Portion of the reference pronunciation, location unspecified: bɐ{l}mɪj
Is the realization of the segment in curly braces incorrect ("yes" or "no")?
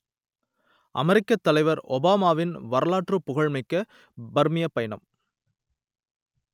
yes